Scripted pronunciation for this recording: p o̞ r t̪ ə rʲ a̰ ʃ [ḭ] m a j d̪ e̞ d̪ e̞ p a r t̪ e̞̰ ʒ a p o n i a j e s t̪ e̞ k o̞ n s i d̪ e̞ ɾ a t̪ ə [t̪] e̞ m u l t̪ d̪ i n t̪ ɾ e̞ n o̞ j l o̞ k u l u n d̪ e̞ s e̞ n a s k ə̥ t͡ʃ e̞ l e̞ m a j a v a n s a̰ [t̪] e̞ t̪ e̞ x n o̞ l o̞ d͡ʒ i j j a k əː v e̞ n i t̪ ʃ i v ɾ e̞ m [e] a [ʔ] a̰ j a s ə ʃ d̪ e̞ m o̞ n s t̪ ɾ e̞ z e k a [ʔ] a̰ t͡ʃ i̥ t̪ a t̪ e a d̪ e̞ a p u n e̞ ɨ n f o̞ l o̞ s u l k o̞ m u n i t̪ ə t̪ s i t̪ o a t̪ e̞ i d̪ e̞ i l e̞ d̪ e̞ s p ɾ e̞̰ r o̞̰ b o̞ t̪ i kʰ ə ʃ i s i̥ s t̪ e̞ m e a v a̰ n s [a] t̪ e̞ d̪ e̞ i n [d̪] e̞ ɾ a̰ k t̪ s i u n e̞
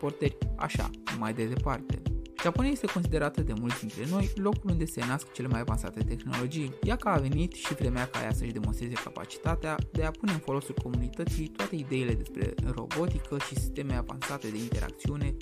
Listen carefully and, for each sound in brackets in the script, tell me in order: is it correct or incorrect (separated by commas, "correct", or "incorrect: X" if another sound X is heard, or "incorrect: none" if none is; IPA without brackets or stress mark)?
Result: incorrect: a̰, incorrect: d̪, correct, correct, incorrect: k, incorrect: p, correct, incorrect: t̪